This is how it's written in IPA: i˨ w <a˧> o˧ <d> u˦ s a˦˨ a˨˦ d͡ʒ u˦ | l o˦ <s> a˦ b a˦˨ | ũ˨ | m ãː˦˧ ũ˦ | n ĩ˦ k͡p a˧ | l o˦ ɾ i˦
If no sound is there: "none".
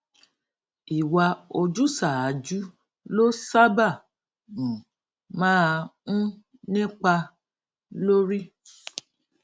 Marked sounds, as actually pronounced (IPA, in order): a˧, d͡ʒ, s

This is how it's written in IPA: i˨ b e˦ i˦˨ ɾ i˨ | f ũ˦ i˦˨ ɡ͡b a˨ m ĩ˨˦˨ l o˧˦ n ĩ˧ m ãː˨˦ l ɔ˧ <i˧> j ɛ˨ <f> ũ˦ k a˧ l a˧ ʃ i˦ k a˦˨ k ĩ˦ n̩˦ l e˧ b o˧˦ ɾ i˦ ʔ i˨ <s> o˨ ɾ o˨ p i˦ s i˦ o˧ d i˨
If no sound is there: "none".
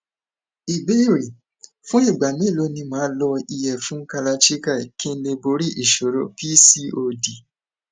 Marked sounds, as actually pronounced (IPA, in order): i˧, f, ʃ

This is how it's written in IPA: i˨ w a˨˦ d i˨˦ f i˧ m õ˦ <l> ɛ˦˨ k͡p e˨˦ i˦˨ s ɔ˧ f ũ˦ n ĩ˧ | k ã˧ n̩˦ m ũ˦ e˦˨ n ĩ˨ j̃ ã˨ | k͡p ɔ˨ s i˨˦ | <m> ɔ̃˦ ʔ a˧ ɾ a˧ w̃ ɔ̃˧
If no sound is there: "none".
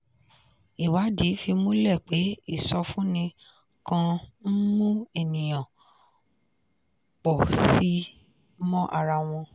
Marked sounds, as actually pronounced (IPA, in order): l, m

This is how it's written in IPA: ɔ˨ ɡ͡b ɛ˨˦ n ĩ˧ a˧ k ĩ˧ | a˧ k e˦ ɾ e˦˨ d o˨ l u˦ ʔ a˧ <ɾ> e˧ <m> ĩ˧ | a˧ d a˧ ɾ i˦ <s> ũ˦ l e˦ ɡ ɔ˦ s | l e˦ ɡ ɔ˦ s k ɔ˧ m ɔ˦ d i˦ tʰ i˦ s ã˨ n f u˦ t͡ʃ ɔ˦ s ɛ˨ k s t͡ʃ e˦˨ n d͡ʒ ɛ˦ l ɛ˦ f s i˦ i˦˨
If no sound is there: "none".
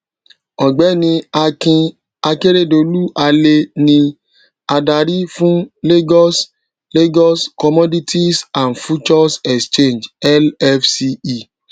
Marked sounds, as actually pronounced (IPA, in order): l, n, f

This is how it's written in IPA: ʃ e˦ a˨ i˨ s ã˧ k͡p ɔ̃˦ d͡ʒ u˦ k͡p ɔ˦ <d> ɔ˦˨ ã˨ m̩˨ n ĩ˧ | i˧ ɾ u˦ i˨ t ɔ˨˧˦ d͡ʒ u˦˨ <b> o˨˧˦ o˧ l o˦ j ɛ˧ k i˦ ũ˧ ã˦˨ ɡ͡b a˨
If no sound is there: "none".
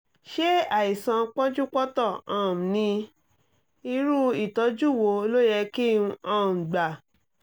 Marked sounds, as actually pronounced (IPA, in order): t, w

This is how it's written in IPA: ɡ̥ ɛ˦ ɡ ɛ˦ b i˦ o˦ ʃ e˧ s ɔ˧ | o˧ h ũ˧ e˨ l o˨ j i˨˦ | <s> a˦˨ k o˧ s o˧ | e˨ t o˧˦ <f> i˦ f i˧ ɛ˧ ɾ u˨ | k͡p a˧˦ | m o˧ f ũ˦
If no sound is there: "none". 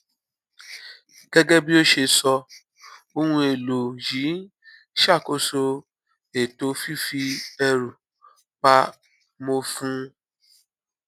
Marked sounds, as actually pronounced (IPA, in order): ʃ, f

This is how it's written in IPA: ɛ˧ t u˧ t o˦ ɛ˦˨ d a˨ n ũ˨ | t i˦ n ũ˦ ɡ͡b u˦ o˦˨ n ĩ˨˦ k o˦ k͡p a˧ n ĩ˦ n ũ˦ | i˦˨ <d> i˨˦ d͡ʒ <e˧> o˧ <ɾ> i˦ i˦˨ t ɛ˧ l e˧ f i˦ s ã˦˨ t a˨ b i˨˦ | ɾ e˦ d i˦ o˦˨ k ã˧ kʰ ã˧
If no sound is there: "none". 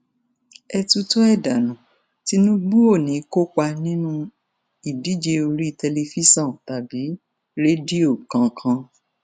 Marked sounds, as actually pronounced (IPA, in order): d, e˧, ɾ

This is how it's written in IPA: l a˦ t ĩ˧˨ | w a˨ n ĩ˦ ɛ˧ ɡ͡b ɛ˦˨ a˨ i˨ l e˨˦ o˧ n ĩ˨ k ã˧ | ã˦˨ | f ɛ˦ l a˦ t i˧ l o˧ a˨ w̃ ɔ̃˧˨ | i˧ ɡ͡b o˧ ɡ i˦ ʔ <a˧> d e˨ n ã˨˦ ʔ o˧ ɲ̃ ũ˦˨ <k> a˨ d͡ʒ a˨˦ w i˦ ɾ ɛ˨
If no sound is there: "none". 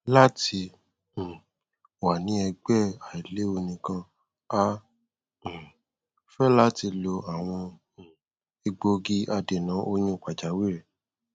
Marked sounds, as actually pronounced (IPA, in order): a˧, k͡p

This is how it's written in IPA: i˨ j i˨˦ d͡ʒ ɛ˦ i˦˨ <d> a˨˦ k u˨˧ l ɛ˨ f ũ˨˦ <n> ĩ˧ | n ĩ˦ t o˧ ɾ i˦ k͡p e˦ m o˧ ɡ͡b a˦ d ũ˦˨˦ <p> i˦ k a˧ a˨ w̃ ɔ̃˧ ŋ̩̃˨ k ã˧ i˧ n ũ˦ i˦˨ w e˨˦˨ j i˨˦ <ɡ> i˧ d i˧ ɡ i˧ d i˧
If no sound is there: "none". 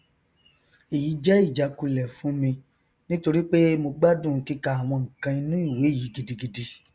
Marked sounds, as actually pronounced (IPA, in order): d͡ʒ, m, k, ɡ

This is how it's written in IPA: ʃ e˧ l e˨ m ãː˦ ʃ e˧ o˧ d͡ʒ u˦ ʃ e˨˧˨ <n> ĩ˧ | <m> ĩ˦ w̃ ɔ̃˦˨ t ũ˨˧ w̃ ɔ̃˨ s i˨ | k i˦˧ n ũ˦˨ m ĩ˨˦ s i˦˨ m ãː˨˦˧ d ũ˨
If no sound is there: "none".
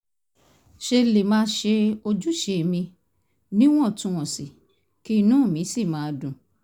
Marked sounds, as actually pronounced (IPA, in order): m, n

